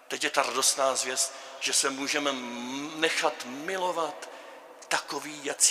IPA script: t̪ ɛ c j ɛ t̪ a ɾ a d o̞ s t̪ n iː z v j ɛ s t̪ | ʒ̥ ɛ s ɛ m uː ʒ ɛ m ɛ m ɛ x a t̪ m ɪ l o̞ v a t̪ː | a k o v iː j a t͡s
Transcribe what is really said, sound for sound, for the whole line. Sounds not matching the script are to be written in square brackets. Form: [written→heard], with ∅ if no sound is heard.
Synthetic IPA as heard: t̪ ɛ c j ɛ t̪ a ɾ a d o̞ s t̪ n [iː→aː] z v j ɛ s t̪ | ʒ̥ ɛ s ɛ m uː ʒ ɛ m ɛ [m→n] ɛ x a t̪ m ɪ l o̞ v a t̪ː | a k o v iː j a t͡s